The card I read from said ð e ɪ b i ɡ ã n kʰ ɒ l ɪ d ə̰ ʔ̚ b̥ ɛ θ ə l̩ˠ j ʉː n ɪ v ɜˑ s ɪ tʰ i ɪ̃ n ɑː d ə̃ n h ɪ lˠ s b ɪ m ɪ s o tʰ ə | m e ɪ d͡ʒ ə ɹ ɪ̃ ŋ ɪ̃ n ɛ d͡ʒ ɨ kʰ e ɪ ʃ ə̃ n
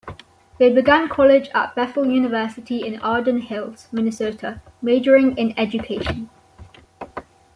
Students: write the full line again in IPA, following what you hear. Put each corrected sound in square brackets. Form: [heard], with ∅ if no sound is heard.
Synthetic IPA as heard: ð e ɪ b [ɪ] ɡ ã n kʰ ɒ l ɪ [d͡ʒ] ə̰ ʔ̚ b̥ ɛ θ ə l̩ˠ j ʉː n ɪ v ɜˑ s ɪ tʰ i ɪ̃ n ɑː d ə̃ n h ɪ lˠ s [m] ɪ [n] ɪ s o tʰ ə | m e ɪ d͡ʒ ə ɹ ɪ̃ ŋ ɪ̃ n ɛ d͡ʒ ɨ kʰ e ɪ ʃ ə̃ n